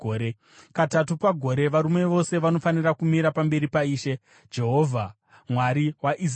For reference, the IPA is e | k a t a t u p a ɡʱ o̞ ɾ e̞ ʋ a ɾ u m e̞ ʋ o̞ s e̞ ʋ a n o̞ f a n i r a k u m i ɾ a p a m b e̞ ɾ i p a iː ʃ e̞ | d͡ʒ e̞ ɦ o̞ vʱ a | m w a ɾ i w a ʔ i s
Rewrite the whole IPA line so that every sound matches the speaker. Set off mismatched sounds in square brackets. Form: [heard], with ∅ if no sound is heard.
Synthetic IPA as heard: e | k a t a t u p a ɡʱ o̞ ɾ e̞ ʋ a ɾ u m e̞ ʋ o̞ s e̞ ʋ a n o̞ f a n i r a k u m i ɾ a p a m b e̞ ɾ i p a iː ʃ e̞ | d͡ʒ e̞ ɦ o̞ vʱ a | m w a ɾ i w a ʔ i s